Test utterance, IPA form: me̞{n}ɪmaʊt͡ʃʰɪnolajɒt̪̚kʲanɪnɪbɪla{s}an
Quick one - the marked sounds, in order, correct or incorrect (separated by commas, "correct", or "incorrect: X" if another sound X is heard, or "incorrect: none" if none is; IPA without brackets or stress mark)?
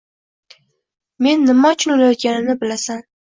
incorrect: nː, correct